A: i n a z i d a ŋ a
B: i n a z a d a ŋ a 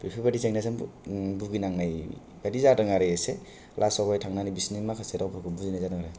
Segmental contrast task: B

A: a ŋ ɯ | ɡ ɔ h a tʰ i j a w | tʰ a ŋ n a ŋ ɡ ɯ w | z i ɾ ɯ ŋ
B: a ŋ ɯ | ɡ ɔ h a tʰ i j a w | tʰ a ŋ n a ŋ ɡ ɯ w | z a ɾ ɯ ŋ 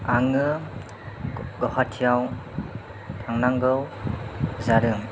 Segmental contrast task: B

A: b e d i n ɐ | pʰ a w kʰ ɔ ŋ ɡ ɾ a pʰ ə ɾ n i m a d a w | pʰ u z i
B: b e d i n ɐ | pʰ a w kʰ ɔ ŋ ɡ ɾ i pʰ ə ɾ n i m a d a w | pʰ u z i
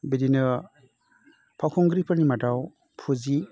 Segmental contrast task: B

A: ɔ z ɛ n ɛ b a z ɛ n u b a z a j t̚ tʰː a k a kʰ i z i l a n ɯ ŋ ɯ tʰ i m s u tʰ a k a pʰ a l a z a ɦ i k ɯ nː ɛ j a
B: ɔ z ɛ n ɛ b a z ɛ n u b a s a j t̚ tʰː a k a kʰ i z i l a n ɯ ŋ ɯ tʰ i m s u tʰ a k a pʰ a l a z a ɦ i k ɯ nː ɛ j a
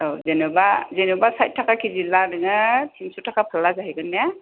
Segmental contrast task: B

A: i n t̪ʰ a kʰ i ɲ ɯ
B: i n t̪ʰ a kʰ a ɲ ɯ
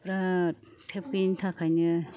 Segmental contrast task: B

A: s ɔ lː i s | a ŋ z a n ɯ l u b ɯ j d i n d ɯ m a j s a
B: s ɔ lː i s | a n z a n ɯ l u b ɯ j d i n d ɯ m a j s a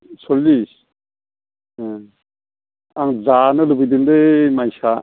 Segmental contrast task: A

